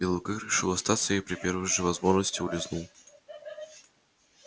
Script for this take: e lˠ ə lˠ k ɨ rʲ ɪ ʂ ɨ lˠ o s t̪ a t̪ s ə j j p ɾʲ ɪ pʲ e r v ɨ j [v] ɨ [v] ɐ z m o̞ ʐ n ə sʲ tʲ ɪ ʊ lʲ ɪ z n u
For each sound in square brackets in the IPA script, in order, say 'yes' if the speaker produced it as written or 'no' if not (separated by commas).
no, yes